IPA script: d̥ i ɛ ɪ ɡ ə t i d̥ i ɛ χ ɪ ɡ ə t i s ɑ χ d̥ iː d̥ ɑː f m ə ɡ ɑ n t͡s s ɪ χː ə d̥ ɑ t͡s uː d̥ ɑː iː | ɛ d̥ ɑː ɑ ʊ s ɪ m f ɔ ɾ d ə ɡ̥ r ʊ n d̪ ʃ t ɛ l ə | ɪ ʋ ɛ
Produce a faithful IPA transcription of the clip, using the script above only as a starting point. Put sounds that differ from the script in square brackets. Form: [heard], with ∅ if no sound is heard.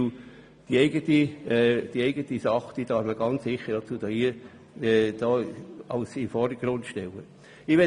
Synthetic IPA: d̥ i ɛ ɪ ɡ ə t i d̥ i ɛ [∅] ɪ ɡ ə t i s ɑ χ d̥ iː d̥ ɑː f m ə ɡ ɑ n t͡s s ɪ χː ə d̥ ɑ t͡s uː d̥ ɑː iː | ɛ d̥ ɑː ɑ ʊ s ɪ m f ɔ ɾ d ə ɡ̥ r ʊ n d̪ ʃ t ɛ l ə | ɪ ʋ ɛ